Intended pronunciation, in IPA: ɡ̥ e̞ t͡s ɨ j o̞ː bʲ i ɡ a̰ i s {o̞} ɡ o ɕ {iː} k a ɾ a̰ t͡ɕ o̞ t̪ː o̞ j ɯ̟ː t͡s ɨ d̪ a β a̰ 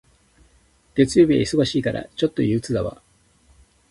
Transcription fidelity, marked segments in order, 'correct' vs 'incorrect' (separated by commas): correct, correct